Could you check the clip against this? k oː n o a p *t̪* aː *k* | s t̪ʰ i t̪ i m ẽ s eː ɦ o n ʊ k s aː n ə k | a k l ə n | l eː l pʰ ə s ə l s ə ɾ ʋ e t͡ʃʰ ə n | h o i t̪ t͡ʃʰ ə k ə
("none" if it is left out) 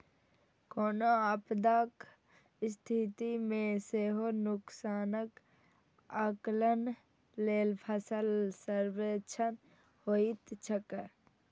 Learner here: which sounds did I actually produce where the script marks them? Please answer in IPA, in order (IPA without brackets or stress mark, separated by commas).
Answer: d̪, k